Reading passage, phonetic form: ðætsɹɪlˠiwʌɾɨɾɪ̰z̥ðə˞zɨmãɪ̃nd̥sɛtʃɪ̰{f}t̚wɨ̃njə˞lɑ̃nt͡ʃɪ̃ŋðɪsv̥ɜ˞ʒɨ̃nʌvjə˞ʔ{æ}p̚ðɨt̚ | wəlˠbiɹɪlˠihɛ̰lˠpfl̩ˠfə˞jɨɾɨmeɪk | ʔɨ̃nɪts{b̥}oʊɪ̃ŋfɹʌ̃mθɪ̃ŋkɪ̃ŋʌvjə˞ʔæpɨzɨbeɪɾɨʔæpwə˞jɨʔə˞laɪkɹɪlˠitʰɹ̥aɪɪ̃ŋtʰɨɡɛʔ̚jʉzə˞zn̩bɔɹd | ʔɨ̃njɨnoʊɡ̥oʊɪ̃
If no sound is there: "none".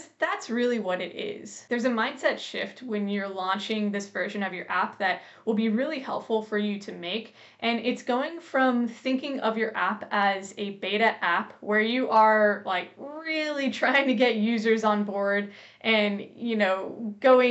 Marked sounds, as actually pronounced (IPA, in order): f, æ, ɡ̥

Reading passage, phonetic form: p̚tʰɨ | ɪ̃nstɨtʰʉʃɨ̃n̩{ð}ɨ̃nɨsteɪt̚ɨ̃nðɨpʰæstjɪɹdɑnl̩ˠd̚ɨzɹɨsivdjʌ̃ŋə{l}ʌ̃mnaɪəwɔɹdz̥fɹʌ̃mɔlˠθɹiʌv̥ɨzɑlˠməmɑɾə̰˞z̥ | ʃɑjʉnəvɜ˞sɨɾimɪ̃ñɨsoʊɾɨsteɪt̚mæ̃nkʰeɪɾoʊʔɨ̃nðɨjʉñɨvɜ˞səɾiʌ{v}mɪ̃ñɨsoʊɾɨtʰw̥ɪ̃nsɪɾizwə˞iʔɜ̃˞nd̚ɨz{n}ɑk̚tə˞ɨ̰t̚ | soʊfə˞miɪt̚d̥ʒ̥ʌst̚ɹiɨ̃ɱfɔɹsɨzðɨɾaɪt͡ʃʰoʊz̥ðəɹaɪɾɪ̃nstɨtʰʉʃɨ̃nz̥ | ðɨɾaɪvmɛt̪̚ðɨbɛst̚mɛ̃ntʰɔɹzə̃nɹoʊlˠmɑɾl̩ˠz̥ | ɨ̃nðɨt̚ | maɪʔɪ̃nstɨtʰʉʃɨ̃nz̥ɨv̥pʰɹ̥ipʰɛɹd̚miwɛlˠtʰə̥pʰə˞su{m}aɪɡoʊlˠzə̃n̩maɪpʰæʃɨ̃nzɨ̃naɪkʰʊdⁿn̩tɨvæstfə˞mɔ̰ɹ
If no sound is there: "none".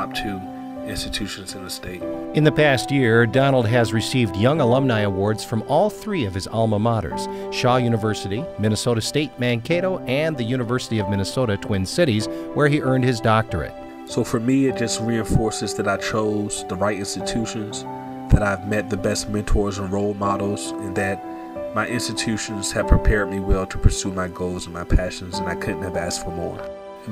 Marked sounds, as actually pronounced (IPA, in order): z, l, v, d, m

